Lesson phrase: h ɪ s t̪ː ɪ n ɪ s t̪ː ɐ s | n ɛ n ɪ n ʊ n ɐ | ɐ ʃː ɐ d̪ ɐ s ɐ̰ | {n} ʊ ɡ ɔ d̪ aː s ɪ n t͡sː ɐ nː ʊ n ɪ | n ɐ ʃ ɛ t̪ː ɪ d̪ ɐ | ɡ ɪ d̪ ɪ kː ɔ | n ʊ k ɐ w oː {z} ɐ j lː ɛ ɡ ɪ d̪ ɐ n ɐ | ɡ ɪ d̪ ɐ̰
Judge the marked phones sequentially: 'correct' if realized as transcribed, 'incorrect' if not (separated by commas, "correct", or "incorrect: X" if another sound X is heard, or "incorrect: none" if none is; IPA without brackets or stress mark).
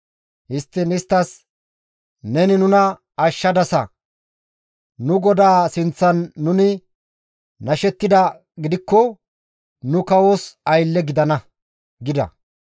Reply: correct, incorrect: s